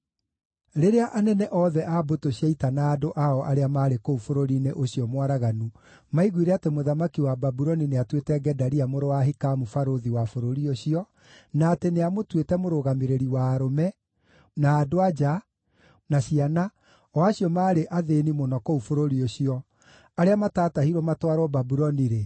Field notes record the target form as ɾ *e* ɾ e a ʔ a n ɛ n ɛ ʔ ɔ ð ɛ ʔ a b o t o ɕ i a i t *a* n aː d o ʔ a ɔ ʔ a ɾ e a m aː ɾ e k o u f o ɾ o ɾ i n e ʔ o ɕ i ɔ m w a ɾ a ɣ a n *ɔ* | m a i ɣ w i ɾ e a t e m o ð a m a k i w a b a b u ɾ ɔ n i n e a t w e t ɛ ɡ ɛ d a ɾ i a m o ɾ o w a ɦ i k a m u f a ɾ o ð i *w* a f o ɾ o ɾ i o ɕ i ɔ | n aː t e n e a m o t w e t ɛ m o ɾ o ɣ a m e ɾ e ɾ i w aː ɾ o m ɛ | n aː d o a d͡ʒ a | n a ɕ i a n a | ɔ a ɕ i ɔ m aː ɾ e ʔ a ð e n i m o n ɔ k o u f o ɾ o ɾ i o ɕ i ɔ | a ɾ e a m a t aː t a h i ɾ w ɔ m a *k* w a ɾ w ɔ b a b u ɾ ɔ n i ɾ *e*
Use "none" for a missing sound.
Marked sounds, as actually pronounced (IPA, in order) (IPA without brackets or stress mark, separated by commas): e, a, u, w, t, e